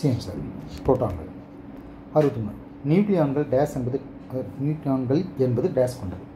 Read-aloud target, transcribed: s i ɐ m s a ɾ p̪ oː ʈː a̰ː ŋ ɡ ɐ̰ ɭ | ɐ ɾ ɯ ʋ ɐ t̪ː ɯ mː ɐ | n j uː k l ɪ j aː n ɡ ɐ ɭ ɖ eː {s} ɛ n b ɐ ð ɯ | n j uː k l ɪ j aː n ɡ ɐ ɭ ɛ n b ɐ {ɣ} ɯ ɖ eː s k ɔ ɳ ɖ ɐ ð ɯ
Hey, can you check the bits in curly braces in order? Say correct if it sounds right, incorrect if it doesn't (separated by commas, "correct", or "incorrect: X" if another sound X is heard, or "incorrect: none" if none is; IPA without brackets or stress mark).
correct, incorrect: ð